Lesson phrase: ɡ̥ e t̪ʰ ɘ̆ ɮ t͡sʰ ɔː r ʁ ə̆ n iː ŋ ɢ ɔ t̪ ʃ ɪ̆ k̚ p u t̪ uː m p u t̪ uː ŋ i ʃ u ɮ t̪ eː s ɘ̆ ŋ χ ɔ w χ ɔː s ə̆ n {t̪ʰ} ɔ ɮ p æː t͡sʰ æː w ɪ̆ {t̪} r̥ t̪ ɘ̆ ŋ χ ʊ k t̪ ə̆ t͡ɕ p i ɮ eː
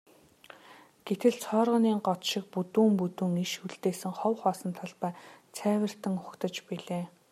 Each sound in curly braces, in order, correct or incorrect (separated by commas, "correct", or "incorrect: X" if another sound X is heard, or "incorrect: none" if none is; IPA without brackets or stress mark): correct, incorrect: none